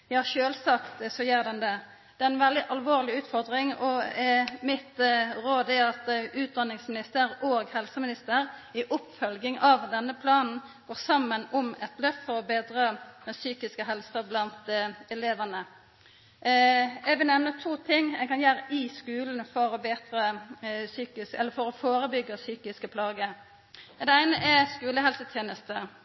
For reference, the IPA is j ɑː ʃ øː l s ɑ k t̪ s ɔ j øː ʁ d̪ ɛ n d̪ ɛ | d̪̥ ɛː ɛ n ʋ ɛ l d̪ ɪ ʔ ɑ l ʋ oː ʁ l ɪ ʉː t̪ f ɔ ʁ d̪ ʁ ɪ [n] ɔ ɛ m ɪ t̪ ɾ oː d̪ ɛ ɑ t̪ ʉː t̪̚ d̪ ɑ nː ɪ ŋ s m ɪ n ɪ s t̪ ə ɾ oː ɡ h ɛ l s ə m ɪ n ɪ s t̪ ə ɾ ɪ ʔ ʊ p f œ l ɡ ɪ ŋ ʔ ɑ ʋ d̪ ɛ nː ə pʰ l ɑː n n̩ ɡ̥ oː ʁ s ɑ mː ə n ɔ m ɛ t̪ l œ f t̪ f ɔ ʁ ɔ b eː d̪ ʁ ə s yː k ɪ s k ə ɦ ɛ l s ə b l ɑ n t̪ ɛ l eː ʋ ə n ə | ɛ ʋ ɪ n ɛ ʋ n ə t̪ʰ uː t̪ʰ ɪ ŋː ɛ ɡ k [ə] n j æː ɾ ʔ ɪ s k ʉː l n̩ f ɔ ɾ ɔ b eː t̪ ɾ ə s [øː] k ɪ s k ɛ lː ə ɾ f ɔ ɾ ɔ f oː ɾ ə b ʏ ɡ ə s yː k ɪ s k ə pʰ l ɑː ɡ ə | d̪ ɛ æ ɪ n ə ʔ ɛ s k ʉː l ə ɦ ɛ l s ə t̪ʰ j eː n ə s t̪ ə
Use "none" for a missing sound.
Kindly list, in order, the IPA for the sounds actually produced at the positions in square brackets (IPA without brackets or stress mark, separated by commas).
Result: ŋ, ɑ, yː